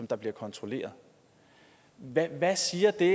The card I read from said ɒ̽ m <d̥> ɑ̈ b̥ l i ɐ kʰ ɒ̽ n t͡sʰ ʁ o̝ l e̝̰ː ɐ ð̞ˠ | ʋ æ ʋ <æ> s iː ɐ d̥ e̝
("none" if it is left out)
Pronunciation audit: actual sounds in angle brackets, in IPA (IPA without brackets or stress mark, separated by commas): d̥, æ